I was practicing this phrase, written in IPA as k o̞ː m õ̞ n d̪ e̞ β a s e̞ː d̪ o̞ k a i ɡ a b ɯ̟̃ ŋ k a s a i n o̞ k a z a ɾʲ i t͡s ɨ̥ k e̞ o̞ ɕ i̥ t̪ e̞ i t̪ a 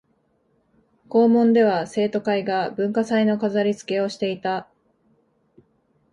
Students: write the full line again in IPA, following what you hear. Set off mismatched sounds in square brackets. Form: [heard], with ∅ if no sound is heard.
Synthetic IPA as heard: k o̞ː m õ̞ n d̪ e̞ β a s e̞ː [t̪] o̞ k a i ɡ a b ɯ̟̃ ŋ k a s a i n o̞ k a z a ɾʲ i t͡s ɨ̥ k e̞ o̞ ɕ i̥ t̪ e̞ i t̪ a

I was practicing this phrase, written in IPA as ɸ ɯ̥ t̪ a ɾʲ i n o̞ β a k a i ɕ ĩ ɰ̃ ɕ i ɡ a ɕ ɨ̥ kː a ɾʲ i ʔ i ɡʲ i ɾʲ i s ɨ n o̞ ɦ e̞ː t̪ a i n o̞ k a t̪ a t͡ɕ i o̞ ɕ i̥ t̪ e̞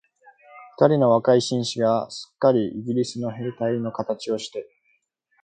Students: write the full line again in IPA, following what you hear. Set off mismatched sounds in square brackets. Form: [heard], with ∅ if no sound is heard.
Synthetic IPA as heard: ɸ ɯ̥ t̪ a ɾʲ i n o̞ β a k a i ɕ ĩ ɰ̃ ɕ i ɡ a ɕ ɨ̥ kː a ɾʲ i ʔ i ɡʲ i ɾʲ i s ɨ n o̞ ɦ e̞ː t̪ a i n o̞ k a t̪ a t͡ɕ i o̞ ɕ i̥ t̪ e̞

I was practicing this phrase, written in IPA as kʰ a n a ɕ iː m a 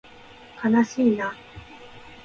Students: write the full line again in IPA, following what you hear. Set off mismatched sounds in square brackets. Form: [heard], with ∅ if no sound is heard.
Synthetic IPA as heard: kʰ a n a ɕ iː [n] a

